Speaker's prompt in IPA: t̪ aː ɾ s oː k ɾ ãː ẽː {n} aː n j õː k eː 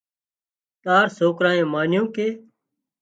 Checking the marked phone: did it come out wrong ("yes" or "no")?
yes